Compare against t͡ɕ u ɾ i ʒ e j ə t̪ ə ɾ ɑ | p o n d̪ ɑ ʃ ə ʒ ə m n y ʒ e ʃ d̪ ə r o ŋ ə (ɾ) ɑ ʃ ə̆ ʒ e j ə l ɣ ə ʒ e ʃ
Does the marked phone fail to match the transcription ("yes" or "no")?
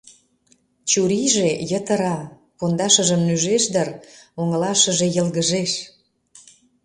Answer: yes